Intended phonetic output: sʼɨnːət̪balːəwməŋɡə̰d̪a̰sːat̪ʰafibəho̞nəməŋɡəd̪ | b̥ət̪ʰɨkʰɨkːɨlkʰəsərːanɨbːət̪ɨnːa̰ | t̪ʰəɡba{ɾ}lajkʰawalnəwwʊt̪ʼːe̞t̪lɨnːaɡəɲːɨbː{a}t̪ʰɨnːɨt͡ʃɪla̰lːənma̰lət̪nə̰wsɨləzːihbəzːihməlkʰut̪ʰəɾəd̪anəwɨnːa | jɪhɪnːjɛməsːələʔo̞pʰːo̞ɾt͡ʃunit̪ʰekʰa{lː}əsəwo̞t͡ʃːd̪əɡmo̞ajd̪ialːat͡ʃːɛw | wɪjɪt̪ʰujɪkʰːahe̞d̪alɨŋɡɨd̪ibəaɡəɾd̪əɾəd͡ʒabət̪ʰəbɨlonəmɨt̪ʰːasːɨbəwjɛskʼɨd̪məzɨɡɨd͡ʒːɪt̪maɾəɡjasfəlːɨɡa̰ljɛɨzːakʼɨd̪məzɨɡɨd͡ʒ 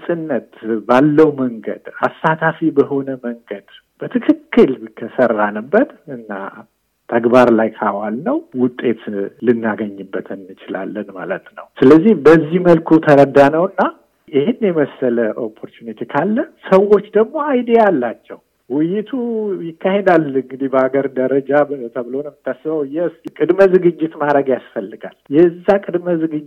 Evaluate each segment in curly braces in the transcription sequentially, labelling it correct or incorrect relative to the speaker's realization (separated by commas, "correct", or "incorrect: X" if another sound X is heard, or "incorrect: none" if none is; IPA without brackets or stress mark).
correct, incorrect: ə, correct